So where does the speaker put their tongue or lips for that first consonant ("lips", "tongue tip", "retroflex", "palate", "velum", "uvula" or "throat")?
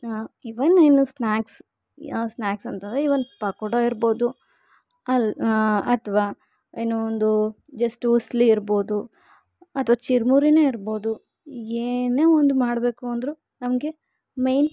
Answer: lips